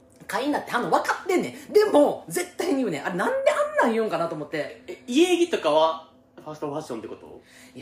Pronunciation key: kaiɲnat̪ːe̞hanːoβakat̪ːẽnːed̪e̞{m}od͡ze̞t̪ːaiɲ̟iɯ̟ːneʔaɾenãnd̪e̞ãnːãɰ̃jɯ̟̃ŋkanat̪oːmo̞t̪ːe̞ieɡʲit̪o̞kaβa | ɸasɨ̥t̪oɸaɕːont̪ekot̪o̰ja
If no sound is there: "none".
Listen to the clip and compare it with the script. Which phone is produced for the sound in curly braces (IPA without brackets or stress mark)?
m